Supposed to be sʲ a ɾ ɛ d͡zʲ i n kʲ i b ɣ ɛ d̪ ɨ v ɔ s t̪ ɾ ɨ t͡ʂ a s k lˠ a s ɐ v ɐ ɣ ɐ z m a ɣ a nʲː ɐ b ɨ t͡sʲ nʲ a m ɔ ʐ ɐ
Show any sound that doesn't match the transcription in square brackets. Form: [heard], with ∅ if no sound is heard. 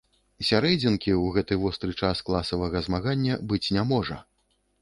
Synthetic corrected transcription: sʲ a ɾ ɛ d͡zʲ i n kʲ i [w] ɣ ɛ [t̪] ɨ v ɔ s t̪ ɾ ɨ t͡ʂ a s k lˠ a s ɐ v ɐ ɣ ɐ z m a ɣ a nʲː ɐ b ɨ t͡sʲ nʲ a m ɔ ʐ ɐ